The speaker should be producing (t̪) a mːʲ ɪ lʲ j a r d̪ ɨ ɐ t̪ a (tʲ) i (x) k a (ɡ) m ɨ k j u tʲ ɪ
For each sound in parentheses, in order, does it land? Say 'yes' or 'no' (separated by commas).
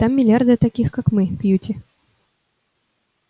yes, no, yes, no